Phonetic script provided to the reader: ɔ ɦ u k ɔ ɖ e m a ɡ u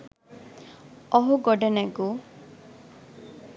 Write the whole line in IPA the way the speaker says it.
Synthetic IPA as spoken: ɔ ɦ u ɡ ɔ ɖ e n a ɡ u